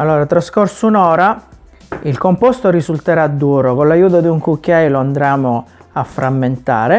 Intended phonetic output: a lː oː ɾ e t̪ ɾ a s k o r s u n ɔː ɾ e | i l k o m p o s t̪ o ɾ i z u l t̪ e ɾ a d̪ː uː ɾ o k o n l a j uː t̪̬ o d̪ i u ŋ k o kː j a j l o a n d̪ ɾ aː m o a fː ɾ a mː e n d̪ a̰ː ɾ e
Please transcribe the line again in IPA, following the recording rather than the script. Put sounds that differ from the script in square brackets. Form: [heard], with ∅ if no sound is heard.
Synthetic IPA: a lː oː ɾ [a] t̪ ɾ a s k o r s u n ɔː ɾ [a] | i l k o m p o s t̪ o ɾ i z u l t̪ e ɾ a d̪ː uː ɾ o k o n l a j uː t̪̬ o d̪ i u ŋ k [u] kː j a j l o a n d̪ ɾ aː m o a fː ɾ a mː e n [t̪] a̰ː ɾ e